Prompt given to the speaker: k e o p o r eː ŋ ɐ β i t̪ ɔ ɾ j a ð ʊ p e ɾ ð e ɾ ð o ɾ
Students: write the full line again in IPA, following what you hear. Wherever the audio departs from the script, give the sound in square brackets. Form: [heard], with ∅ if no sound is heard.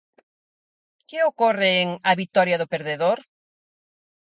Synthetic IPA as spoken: k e o [k] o r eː ŋ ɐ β i t̪ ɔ ɾ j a ð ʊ p e ɾ ð e [∅] ð o ɾ